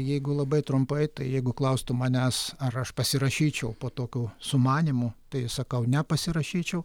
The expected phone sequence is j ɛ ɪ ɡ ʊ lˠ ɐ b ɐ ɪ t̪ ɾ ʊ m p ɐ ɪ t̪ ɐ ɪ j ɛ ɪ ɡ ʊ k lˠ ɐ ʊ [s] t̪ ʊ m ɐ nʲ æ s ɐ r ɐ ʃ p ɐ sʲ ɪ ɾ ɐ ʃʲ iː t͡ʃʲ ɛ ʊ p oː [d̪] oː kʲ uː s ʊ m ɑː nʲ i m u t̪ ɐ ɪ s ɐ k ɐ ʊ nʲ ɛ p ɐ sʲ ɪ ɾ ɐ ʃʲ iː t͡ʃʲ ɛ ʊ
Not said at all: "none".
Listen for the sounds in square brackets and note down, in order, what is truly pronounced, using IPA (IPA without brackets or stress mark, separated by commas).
s, t̪